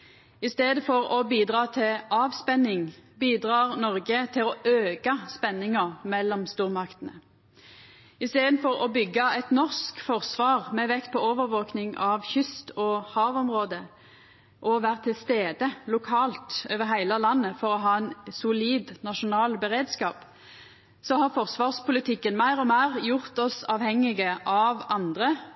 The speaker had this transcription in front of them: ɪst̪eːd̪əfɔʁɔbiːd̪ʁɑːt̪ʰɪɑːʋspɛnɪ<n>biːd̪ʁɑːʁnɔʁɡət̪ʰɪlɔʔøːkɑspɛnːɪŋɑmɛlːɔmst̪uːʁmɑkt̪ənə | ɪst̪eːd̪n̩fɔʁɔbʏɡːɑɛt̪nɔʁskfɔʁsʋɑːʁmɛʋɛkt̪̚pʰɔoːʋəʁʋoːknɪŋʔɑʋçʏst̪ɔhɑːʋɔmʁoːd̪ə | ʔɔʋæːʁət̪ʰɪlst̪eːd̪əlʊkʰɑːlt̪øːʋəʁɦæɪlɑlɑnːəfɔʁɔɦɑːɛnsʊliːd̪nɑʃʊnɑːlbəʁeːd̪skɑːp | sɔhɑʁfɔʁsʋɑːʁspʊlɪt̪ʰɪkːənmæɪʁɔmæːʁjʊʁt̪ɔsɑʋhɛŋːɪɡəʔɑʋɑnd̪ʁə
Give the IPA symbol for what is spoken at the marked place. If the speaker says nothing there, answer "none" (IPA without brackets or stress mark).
ŋ